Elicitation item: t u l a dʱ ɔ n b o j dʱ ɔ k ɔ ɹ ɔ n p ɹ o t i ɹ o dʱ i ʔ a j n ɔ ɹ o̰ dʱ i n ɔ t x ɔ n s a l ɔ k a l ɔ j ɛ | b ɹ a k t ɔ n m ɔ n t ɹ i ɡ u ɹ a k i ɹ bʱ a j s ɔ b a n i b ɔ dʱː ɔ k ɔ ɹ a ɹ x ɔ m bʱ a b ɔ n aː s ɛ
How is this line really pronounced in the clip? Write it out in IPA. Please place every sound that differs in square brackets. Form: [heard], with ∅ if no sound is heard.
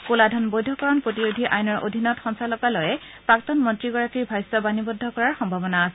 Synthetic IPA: [k] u l a dʱ ɔ n b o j dʱ ɔ k ɔ ɹ ɔ n p ɹ o t i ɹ o dʱ i ʔ a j n ɔ ɹ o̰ dʱ i n ɔ t x ɔ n s a l ɔ k a l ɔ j ɛ | [p] ɹ a k t ɔ n m ɔ n t ɹ i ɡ [ɔ] ɹ a k i ɹ bʱ a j s ɔ b a n i b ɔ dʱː ɔ k ɔ ɹ a ɹ x ɔ m bʱ a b ɔ n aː s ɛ